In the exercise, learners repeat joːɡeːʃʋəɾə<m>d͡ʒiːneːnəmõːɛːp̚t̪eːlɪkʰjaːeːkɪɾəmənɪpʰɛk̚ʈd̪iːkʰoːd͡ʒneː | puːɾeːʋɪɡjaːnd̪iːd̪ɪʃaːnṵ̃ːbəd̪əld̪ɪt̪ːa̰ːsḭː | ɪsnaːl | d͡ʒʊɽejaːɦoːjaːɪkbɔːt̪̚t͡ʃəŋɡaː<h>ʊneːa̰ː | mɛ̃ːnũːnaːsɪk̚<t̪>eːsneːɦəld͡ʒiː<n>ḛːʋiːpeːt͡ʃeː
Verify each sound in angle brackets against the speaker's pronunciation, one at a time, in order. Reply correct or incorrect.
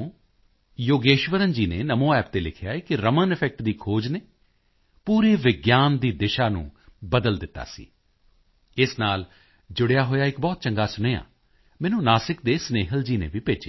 incorrect, incorrect, incorrect, correct

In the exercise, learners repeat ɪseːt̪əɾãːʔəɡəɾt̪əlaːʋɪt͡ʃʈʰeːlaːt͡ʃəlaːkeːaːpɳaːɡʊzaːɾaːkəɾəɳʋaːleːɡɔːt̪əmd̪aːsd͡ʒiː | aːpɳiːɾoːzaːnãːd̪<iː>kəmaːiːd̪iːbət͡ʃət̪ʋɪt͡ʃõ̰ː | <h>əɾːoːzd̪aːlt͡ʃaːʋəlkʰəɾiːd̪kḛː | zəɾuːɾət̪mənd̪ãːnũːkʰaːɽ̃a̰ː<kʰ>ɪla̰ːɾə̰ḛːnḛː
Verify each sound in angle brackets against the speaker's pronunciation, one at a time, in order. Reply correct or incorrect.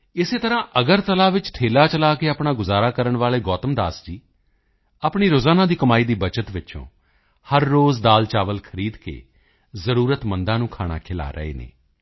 correct, correct, correct

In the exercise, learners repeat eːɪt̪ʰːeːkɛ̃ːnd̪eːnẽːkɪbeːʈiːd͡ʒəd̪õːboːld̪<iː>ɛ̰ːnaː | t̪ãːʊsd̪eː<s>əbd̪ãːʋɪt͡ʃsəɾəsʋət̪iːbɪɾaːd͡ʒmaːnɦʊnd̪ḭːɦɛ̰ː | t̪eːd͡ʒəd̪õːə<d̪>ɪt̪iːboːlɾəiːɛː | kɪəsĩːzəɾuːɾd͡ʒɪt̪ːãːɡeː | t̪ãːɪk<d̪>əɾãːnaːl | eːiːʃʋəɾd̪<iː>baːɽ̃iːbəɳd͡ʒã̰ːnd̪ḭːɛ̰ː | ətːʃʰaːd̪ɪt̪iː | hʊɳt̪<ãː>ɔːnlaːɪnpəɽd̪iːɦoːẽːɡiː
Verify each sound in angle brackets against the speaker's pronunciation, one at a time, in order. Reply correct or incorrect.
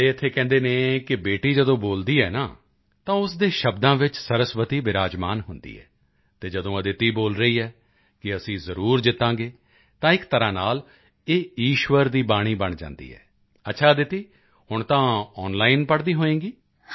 correct, incorrect, correct, incorrect, correct, correct

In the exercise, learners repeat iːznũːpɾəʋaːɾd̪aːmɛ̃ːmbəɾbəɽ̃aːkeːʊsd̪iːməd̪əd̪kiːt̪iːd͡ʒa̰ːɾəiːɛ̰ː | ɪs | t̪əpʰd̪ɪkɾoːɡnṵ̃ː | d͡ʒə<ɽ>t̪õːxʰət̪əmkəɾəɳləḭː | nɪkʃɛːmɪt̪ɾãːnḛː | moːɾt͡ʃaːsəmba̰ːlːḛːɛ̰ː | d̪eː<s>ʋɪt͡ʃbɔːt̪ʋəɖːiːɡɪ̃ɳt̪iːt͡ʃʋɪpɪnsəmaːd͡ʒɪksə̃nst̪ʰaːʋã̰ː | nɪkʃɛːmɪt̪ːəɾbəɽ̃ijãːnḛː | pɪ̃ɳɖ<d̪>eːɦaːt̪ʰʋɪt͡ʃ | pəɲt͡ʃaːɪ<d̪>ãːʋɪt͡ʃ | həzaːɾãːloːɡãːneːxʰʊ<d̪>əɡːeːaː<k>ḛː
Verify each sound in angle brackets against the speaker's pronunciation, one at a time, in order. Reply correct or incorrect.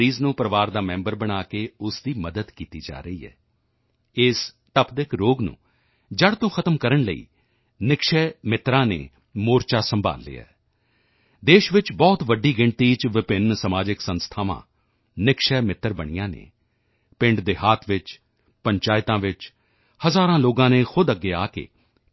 correct, incorrect, correct, incorrect, correct, correct

